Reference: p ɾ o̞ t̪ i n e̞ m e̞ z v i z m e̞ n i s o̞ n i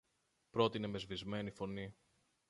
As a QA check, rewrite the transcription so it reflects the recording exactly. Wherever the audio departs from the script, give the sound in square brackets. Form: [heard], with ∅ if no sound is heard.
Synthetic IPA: p ɾ o̞ t̪ i n e̞ m e̞ z v i z m e̞ n i [f] o̞ n i